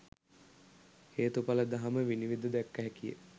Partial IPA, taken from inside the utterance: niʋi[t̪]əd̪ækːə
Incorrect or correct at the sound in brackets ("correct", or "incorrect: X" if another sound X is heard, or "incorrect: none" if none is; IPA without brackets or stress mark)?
incorrect: d̪